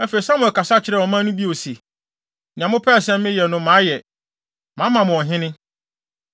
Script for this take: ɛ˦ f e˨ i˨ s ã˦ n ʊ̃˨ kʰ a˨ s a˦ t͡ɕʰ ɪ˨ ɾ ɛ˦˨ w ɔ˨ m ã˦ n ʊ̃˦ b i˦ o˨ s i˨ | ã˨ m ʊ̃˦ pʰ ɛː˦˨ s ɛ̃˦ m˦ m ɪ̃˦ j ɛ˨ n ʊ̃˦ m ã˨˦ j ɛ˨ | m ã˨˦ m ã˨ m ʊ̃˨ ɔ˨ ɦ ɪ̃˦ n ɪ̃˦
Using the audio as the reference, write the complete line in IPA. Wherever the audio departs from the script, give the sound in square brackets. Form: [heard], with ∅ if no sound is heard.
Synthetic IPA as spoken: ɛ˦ f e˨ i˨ s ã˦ [m] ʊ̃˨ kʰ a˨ s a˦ t͡ɕʰ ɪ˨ ɾ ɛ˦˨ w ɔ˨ m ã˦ n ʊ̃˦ b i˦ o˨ s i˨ | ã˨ m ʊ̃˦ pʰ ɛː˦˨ s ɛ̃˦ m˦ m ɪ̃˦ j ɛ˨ n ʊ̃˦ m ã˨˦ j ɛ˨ | m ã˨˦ m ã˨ m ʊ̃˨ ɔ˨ ɦ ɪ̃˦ n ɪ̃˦